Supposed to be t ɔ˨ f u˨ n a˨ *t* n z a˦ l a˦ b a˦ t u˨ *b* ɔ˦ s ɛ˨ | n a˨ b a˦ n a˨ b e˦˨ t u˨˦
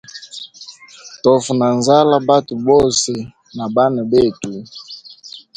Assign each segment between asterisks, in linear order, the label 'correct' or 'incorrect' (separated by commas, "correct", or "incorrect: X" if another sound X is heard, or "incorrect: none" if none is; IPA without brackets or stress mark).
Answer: incorrect: none, correct